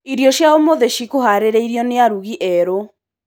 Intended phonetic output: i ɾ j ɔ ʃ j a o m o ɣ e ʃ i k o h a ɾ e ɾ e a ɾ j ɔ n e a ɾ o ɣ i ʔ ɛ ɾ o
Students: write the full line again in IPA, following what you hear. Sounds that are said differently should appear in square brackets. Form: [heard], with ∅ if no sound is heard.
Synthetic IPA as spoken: i ɾ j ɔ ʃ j a o m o [ð] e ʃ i k o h a ɾ e ɾ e [i] ɾ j ɔ n e a ɾ [u] ɣ i ʔ ɛ ɾ o